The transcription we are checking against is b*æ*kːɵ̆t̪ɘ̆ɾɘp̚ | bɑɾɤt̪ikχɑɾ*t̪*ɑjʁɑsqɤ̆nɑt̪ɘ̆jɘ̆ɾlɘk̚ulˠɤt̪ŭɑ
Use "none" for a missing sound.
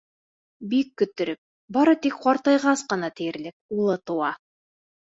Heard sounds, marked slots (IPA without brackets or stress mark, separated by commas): i, t̪